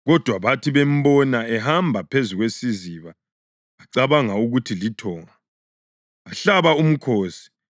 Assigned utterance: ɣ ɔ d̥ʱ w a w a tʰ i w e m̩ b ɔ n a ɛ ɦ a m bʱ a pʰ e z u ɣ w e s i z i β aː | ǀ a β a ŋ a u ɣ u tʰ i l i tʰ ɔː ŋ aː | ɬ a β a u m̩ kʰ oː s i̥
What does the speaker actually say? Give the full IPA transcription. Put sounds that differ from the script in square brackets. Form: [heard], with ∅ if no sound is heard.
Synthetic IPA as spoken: ɣ ɔ d̥ʱ w a [β] a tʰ i [β] e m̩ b ɔ n a ɛ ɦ a m bʱ a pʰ e z u ɣ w e s i z i β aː | ǀ a β a ŋ a u ɣ u tʰ i l i tʰ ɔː ŋ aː | ɬ a β a u m̩ kʰ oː s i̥